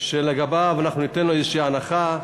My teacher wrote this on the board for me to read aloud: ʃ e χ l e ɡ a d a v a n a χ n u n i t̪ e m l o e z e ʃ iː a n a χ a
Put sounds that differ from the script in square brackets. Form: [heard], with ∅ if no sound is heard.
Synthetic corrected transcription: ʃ e [∅] l e ɡ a [b] a v a n a χ n u n i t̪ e [n] l o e z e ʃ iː a n a χ a